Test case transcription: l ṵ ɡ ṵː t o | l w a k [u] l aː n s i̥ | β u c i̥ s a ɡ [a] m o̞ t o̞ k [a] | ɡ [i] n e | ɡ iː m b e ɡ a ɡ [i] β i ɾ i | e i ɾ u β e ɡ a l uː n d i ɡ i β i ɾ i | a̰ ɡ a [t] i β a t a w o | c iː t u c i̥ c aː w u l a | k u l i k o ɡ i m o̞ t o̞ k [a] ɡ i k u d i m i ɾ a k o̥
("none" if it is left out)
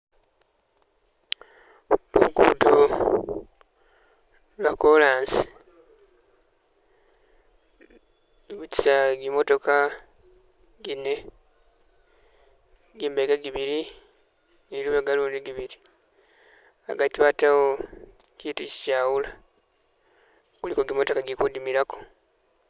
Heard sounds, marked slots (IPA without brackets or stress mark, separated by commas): o, i, a, i, i, t, a